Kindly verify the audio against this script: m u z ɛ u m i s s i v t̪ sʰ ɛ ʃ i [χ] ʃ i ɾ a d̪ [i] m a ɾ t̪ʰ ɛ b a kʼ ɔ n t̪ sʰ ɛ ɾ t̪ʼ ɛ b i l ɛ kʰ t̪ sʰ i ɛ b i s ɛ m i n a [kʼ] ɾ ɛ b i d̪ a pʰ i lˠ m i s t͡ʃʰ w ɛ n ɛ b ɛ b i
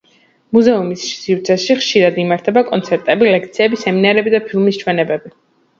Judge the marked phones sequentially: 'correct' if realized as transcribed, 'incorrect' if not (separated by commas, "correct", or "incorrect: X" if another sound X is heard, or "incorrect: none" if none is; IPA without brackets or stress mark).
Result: correct, correct, incorrect: none